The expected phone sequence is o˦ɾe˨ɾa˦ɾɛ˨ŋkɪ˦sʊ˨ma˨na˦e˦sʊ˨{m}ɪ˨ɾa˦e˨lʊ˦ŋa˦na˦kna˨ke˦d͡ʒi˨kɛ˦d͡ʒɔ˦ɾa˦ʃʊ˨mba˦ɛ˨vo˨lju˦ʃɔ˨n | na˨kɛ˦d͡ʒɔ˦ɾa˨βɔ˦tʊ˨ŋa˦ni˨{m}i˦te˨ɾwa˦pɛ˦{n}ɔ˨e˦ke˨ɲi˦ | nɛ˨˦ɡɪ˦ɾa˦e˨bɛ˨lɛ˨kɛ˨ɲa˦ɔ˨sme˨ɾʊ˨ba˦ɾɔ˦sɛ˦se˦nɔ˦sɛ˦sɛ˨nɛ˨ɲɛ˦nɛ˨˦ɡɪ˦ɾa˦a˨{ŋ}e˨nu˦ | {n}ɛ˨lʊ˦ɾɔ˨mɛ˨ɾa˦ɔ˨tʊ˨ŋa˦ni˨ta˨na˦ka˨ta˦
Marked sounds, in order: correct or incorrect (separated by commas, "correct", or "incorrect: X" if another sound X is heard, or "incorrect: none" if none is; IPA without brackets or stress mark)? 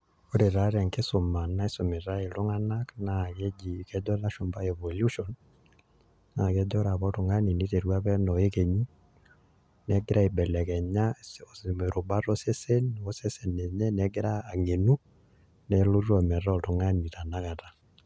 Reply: correct, incorrect: n, correct, correct, correct